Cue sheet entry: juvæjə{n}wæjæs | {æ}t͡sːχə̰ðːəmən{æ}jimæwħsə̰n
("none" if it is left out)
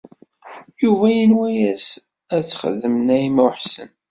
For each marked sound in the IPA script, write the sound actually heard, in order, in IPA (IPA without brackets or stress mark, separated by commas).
n, æ, æ